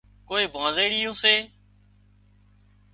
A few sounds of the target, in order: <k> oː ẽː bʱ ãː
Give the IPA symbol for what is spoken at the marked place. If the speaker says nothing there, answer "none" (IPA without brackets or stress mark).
k